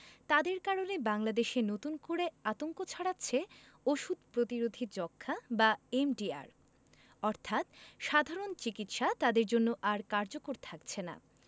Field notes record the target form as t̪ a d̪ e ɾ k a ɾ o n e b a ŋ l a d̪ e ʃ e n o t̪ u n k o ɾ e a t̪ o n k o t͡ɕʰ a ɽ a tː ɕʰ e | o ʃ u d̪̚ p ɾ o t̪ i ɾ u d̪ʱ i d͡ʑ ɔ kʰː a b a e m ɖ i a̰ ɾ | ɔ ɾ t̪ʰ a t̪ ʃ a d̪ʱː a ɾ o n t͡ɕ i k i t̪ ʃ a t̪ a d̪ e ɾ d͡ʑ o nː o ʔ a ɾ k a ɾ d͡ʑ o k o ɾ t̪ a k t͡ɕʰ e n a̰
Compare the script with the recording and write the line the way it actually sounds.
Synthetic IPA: t̪ a d̪ e ɾ k a ɾ o n e b a ŋ l a d̪ e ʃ e n o t̪ u n k o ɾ e a t̪ o ŋ k o t͡ɕʰ a ɽ a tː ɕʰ e | o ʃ u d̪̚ p ɾ o t̪ i ɾ o d̪ʱ i d͡ʑ ɔ kʰː a b a e m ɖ i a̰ ɾ | ɔ ɾ t̪ʰ a t̪ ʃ a d̪ʱ a ɾ o n t͡ɕ i k i t̪ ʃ a t̪ a d̪ e ɾ d͡ʑ o nː o ʔ a ɾ k a ɾ d͡ʑ o k o ɾ t̪ʰ a k t͡ɕʰ e n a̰